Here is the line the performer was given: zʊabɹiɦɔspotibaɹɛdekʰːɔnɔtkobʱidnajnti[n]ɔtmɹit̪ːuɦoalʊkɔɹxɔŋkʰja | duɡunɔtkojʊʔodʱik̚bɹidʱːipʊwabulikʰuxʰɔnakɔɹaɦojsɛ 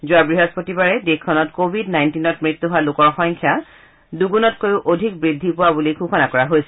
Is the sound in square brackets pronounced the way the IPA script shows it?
yes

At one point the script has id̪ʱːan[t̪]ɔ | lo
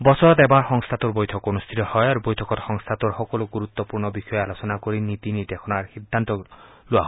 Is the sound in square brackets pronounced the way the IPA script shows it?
yes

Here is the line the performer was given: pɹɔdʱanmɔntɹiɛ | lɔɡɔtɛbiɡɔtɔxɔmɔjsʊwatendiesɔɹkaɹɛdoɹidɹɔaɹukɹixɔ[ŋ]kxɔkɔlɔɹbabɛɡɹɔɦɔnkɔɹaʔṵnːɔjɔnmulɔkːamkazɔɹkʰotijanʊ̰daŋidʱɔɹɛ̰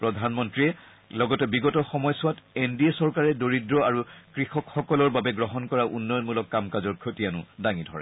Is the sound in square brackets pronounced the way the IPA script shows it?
no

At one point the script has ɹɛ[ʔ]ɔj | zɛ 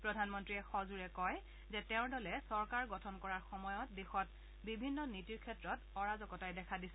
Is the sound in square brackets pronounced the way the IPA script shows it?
no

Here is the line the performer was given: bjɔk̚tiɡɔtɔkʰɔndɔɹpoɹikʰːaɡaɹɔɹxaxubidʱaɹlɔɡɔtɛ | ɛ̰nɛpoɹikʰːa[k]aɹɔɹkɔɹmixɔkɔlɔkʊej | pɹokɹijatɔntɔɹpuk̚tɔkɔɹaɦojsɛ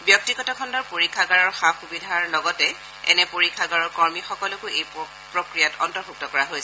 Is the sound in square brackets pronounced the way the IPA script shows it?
no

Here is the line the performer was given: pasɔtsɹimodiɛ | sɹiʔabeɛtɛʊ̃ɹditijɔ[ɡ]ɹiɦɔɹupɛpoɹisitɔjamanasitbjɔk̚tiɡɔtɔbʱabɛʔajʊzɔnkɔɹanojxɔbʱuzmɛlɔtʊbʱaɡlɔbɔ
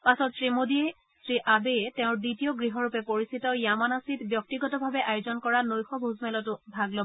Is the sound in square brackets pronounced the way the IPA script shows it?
yes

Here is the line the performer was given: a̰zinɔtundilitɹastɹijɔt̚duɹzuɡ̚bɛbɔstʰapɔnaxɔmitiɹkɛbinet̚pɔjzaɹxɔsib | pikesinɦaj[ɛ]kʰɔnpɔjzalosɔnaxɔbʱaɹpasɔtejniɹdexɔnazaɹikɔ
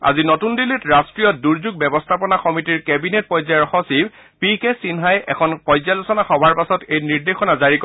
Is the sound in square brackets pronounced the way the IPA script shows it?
yes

